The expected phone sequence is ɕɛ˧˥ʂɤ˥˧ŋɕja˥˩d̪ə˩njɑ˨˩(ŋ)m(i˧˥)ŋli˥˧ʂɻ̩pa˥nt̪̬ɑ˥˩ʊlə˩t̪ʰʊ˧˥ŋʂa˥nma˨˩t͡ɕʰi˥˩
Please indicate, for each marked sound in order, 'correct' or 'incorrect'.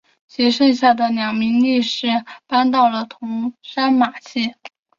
correct, correct

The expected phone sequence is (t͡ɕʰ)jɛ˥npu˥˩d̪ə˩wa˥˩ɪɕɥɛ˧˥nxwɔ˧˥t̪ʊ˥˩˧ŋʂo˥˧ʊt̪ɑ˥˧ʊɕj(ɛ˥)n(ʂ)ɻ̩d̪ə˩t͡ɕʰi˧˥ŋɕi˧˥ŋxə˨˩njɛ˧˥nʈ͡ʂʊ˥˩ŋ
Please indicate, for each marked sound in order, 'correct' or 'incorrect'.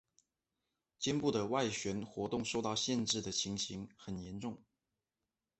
incorrect, incorrect, incorrect

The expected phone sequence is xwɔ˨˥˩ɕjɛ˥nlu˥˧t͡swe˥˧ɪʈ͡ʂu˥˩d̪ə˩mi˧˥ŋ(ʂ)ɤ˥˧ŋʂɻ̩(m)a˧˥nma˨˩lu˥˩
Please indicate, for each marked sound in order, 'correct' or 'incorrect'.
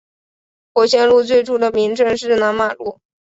incorrect, incorrect

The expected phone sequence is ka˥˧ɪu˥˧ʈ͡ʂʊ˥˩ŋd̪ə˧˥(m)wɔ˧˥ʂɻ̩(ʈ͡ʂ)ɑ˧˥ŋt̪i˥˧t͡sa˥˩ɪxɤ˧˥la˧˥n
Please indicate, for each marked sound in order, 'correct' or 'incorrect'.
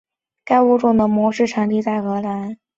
correct, incorrect

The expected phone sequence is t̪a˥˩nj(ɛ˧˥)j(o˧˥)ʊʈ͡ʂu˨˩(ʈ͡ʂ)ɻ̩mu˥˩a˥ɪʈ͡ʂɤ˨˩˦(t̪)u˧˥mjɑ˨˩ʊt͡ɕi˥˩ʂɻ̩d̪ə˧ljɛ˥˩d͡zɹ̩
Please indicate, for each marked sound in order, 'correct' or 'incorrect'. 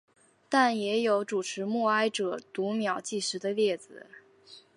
correct, correct, incorrect, correct

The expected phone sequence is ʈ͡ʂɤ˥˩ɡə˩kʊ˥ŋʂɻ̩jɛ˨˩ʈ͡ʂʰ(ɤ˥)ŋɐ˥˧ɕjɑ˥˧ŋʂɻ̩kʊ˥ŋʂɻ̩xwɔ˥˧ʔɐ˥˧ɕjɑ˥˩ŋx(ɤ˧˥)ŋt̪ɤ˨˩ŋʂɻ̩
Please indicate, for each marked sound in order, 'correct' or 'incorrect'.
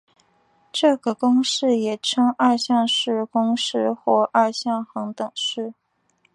correct, correct

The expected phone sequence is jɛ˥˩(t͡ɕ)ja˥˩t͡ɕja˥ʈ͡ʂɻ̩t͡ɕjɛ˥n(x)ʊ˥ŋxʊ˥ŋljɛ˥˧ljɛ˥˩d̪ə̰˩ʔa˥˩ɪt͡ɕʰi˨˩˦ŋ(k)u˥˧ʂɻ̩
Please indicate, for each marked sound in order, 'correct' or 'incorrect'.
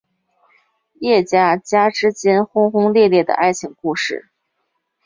correct, correct, correct

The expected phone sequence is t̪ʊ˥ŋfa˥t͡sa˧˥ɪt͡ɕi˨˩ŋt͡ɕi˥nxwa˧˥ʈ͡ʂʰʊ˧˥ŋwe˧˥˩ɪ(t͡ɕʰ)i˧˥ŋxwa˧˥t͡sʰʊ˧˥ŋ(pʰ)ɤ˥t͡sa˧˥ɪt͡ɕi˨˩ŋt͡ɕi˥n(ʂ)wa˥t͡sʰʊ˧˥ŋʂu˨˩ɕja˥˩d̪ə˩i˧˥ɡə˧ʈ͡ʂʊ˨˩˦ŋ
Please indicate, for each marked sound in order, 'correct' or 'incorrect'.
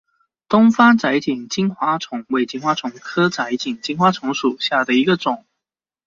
incorrect, incorrect, incorrect

